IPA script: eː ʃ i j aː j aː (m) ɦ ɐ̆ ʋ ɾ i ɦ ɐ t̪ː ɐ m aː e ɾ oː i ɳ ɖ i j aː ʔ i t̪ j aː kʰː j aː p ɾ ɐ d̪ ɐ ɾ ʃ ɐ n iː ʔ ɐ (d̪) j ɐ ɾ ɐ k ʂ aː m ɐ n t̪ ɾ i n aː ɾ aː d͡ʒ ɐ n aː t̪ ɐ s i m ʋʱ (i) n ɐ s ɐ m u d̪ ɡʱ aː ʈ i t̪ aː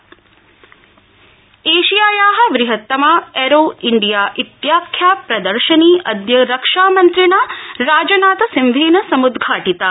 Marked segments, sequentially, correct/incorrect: incorrect: none, correct, incorrect: iː

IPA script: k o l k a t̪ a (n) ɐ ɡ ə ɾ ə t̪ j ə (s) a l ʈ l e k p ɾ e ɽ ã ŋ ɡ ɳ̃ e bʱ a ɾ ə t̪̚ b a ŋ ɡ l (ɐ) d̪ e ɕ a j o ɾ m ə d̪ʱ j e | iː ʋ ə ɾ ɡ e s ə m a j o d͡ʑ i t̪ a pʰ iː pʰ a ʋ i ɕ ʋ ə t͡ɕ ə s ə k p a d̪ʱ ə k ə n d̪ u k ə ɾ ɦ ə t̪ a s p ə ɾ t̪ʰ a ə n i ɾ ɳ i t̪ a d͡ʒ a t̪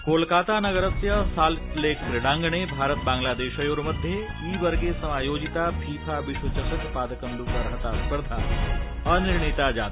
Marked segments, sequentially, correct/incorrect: correct, correct, incorrect: a

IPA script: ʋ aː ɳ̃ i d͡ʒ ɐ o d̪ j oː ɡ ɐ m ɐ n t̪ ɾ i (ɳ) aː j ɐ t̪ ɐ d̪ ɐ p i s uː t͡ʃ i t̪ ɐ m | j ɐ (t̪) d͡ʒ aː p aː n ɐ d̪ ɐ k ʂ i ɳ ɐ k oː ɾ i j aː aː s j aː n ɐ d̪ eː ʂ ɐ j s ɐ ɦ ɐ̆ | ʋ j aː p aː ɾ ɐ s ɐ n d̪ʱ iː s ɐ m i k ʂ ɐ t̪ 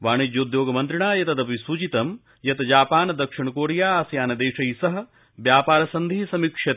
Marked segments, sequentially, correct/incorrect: correct, correct

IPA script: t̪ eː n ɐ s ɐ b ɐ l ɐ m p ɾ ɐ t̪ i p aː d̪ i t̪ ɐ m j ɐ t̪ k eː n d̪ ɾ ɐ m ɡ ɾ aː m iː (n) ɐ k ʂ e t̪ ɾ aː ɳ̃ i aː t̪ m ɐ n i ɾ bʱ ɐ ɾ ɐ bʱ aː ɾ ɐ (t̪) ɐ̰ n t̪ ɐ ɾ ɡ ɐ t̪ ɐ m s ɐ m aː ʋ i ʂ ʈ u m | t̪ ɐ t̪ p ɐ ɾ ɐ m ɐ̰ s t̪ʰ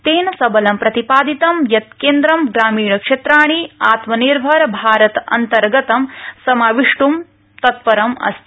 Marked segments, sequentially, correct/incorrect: incorrect: ɳ, correct

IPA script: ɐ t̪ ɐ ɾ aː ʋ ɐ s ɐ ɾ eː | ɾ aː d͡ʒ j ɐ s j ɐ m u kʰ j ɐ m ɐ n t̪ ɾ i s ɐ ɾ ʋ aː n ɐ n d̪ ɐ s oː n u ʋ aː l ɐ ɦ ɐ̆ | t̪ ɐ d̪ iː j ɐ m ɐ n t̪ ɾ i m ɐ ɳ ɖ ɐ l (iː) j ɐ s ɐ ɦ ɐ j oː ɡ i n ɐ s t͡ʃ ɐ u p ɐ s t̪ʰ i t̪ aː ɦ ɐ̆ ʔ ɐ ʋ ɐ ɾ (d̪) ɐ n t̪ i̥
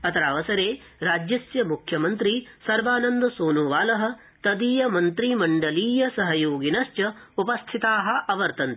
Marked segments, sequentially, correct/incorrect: correct, incorrect: t̪

